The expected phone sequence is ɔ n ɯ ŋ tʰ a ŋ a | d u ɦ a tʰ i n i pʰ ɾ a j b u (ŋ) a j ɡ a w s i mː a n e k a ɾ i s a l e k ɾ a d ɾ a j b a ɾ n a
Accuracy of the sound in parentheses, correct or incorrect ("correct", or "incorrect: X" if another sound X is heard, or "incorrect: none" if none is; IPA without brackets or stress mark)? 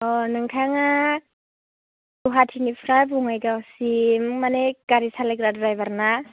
correct